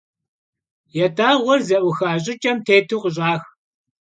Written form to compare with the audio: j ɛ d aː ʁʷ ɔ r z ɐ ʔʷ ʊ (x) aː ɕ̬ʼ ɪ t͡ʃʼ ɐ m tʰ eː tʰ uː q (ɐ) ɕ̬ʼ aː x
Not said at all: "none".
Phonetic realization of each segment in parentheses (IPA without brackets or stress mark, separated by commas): x, ə